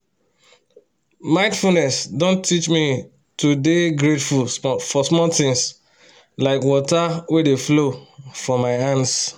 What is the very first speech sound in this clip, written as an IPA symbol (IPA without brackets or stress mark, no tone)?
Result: m